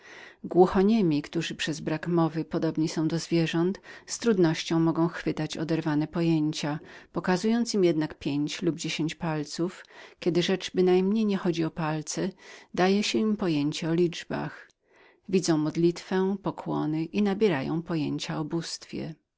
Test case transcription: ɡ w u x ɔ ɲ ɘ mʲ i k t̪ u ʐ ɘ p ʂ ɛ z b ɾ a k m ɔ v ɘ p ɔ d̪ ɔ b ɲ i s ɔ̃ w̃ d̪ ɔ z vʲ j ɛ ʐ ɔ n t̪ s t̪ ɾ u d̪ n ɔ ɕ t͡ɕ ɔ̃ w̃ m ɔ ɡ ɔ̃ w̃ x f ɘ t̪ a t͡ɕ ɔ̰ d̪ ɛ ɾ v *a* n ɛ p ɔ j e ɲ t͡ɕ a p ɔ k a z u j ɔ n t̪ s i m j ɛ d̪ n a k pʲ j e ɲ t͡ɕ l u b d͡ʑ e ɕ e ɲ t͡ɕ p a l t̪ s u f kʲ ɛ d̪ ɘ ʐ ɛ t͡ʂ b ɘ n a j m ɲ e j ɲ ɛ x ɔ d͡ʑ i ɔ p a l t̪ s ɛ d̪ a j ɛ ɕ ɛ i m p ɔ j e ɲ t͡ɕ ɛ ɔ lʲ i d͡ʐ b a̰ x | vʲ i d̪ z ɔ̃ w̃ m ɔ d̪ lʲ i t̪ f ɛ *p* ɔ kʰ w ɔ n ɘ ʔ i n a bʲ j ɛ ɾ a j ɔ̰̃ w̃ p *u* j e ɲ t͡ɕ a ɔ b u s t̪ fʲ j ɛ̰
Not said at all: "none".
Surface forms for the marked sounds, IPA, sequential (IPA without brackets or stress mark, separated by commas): a, p, ɔ